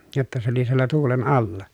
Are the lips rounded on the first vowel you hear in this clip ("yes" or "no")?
yes